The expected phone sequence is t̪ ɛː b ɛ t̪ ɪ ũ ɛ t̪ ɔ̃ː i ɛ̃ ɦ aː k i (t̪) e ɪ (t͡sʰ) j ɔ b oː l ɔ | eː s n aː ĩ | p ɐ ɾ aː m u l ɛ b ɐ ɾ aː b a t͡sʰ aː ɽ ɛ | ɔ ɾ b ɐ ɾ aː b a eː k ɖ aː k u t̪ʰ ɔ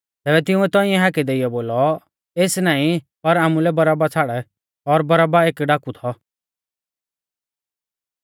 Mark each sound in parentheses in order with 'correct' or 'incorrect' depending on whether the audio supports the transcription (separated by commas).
incorrect, incorrect